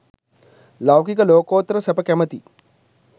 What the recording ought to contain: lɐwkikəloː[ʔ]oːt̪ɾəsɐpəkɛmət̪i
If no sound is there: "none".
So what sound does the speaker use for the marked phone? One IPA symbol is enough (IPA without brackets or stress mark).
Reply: k